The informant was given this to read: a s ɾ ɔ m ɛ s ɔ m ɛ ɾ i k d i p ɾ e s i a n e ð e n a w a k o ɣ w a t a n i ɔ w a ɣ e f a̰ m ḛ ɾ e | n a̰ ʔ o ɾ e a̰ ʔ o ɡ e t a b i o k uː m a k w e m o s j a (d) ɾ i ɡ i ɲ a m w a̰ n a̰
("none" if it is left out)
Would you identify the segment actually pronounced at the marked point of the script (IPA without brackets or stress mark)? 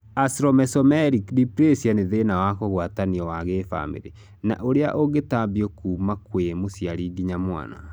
none